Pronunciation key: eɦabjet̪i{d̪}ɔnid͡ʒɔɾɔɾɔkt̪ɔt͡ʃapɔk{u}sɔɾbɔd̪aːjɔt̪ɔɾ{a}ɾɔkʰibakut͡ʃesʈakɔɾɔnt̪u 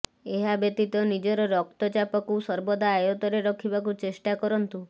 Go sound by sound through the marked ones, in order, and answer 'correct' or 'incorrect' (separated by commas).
incorrect, correct, incorrect